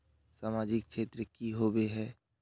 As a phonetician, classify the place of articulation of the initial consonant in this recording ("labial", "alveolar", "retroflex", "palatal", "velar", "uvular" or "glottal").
alveolar